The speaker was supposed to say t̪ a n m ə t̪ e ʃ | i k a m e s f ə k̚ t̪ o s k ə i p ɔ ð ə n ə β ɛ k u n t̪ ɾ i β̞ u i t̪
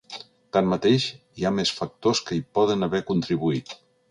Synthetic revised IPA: t̪ a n m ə t̪ e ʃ | i a m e s f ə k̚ t̪ o s k ə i p ɔ ð ə n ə β ɛ k u n t̪ ɾ i β̞ u i t̪